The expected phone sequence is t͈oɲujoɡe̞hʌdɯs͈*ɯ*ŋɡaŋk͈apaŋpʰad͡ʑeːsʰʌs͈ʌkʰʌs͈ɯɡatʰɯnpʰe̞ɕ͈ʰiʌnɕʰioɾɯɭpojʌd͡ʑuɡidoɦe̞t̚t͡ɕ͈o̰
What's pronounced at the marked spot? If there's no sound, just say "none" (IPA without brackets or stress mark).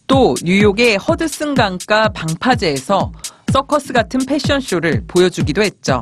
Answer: ɯ